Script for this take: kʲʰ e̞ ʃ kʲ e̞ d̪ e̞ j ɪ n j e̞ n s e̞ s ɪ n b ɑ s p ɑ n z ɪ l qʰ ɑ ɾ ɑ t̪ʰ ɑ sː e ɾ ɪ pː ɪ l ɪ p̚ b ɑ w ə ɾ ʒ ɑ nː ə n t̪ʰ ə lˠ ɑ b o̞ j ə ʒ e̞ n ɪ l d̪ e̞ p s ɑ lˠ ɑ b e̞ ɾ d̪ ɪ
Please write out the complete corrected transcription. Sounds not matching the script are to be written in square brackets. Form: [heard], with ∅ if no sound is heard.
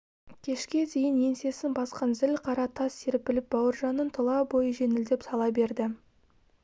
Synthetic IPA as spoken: kʲʰ e̞ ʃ kʲ e̞ d̪ e̞ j ɪ n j e̞ n s e̞ s ɪ n b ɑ s [q] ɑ n z ɪ l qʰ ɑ ɾ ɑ t̪ʰ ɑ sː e ɾ ɪ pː ɪ l ɪ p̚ b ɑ w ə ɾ ʒ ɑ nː ə n t̪ʰ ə lˠ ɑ b o̞ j ə ʒ e̞ n ɪ l d̪ e̞ p s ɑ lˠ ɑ b e̞ ɾ d̪ ɪ

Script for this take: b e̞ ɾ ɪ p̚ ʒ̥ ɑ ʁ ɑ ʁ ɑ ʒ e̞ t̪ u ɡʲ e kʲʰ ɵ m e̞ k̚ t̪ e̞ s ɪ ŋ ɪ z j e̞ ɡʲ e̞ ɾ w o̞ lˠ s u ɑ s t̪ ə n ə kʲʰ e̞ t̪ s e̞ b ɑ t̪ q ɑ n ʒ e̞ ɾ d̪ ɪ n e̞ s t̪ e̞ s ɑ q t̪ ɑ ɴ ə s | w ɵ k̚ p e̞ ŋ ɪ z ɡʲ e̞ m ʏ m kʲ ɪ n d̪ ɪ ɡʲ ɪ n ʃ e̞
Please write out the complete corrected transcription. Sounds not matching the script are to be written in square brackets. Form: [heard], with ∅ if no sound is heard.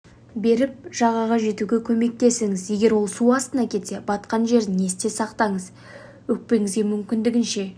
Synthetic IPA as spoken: b e̞ ɾ ɪ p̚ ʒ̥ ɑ ʁ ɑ ʁ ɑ ʒ e̞ t̪ u ɡʲ e kʲʰ ɵ m e̞ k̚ t̪ e̞ s ɪ ŋ ɪ z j e̞ ɡʲ e̞ ɾ w o̞ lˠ s u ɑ s t̪ ə n [ɑ] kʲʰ e̞ t̪ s e̞ b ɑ t̪ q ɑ n ʒ e̞ ɾ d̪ ɪ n e̞ s t̪ e̞ s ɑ q t̪ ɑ ɴ ə [z] | w ɵ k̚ p e̞ ŋ ɪ z ɡʲ e̞ m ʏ m kʲ ɪ n d̪ ɪ ɡʲ ɪ n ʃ e̞

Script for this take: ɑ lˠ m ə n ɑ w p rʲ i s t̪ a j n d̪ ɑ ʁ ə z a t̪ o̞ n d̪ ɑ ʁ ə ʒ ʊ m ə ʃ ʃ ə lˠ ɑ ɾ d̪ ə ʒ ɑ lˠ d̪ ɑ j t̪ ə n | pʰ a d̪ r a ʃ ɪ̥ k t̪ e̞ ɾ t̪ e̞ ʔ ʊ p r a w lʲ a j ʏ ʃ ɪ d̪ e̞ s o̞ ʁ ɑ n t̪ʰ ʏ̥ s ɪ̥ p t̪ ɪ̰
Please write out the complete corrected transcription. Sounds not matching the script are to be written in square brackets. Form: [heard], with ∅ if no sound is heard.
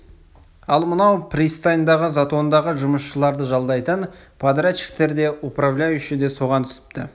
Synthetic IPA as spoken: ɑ lˠ m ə n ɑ w p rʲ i s t̪ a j n d̪ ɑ ʁ ə z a t̪ o̞ n d̪ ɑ ʁ ə ʒ ʊ m ə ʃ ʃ ə lˠ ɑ ɾ d̪ ə ʒ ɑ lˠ d̪ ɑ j t̪ ə n | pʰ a d̪ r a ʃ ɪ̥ k t̪ e̞ ɾ [d̪] e̞ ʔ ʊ p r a [v] lʲ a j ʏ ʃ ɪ d̪ e̞ s o̞ ʁ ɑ n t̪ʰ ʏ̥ s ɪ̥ p t̪ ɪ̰

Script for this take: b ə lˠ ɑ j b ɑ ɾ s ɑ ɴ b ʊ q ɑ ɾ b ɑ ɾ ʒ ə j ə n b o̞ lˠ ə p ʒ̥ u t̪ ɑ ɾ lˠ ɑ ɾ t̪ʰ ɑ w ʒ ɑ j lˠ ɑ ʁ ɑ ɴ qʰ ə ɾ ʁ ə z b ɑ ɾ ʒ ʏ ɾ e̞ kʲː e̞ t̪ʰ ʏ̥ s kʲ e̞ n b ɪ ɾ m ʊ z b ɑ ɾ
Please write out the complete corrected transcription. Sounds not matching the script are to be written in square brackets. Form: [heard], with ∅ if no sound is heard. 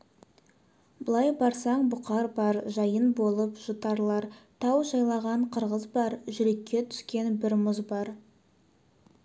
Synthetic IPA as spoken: b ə lˠ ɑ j b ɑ ɾ s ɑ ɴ b ʊ q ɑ ɾ b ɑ ɾ ʒ [ɑ] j ə n b o̞ lˠ ə p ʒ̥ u t̪ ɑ ɾ lˠ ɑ ɾ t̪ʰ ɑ w ʒ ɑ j lˠ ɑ ʁ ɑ ɴ qʰ ə ɾ ʁ ə z b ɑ ɾ ʒ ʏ ɾ e̞ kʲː e̞ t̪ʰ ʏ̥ s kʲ e̞ n b ɪ ɾ m ʊ z b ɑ ɾ

